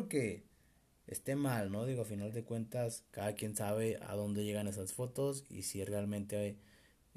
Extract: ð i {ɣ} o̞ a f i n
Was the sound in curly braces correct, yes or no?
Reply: yes